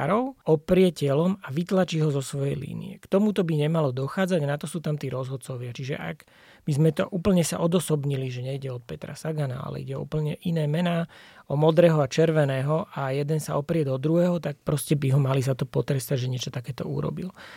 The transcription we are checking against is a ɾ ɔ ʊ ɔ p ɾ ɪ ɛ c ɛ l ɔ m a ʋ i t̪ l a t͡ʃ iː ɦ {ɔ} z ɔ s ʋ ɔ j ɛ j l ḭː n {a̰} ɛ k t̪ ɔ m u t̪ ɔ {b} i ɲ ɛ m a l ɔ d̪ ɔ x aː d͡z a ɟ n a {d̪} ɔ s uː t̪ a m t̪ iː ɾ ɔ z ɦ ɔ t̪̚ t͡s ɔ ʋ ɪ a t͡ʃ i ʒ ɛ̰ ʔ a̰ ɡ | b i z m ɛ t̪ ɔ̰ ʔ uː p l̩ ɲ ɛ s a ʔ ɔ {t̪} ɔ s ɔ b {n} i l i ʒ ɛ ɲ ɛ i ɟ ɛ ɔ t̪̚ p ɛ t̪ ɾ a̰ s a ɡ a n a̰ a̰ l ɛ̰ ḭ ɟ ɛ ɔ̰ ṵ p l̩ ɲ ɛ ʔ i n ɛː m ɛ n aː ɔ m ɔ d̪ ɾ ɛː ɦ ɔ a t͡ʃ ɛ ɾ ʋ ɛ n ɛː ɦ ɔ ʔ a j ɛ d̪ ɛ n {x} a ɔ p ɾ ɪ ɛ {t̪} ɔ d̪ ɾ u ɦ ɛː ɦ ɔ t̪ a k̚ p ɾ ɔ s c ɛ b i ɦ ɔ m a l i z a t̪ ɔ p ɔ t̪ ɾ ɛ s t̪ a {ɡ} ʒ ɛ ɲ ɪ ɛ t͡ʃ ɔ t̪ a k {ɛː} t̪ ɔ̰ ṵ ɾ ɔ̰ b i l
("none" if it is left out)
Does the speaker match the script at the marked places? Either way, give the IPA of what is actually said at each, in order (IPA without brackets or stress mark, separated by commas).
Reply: ɔ, ḭ, b, t̪, d̪, ɲ, s, d̪, ɟ, ɛː